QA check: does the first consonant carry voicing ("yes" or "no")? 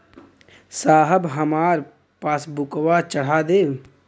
no